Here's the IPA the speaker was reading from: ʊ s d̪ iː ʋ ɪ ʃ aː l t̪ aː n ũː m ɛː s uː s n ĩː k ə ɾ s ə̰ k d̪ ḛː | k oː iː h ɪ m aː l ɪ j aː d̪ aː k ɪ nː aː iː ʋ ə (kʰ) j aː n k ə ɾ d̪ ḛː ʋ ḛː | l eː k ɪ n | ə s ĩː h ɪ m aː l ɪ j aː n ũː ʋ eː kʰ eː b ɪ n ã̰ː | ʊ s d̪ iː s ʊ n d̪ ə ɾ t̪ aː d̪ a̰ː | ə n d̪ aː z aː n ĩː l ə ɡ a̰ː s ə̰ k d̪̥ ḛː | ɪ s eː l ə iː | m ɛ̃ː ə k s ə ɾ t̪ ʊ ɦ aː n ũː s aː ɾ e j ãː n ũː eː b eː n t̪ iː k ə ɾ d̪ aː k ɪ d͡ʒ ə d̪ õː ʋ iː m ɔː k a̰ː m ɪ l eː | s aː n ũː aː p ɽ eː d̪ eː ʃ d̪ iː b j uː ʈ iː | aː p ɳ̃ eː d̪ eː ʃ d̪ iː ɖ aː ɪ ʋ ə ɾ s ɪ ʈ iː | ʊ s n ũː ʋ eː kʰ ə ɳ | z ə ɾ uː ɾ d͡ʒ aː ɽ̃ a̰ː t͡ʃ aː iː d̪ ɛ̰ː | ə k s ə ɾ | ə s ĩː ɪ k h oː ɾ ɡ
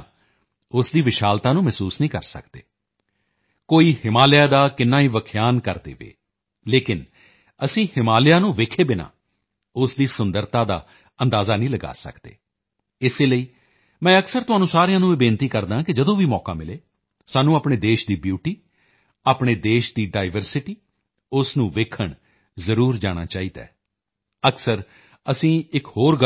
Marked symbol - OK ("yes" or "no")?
yes